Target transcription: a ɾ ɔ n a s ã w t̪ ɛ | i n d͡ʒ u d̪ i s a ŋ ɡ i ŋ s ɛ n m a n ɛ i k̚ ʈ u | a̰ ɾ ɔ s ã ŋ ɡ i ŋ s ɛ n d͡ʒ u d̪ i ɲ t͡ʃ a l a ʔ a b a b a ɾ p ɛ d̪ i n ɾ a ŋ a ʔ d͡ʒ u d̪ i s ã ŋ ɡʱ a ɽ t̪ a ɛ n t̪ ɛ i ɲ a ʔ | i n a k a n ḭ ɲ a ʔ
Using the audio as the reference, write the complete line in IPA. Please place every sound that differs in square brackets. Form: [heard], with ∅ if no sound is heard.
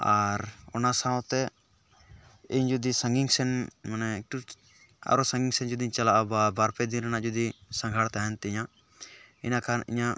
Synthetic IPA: a ɾ ɔ n a s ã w t̪ ɛ | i [ɲ] d͡ʒ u d̪ i s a ŋ ɡ i ŋ s ɛ n m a n ɛ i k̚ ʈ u | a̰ ɾ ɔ s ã ŋ ɡ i ŋ s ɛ n d͡ʒ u d̪ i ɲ t͡ʃ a l a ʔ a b a b a ɾ p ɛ d̪ i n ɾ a [n] a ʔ d͡ʒ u d̪ i s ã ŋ ɡʱ a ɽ t̪ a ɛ n t̪ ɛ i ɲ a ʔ | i n a k a n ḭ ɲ a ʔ

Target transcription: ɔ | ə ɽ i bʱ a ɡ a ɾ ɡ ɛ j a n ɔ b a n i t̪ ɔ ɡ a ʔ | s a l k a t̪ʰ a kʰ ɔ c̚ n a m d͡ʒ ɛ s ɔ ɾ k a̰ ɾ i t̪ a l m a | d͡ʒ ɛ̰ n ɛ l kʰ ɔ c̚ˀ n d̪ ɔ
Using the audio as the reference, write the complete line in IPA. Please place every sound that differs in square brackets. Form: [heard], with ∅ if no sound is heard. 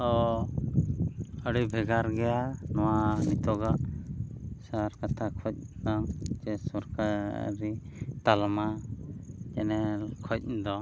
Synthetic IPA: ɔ | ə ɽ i bʱ [ɛ] ɡ a ɾ ɡ ɛ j a n ɔ [w] a n i t̪ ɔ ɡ a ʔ | s a [ɾ] k a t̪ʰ a kʰ ɔ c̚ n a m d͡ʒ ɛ s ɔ ɾ k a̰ ɾ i t̪ a l m a | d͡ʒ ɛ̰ n ɛ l kʰ ɔ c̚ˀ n d̪ ɔ

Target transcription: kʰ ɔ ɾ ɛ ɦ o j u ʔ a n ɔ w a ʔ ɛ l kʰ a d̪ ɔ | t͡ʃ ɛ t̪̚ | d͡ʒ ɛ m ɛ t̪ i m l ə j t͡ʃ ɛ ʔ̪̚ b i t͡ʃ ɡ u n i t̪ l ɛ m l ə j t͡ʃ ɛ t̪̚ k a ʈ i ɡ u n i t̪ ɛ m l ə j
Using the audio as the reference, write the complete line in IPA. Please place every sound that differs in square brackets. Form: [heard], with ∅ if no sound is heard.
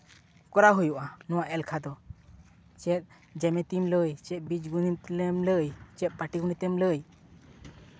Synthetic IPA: [k] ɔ ɾ [a] ɦ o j u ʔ a n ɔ w a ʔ ɛ l kʰ a d̪ ɔ | t͡ʃ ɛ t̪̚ | d͡ʒ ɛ m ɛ t̪ i m l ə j t͡ʃ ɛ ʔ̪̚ b i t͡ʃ ɡ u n i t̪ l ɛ m l ə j t͡ʃ ɛ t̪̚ [p] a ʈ i ɡ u n i t̪ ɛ m l ə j

